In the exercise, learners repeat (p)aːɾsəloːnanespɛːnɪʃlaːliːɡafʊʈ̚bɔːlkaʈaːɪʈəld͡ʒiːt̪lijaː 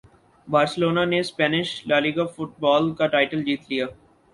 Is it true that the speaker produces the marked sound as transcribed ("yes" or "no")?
no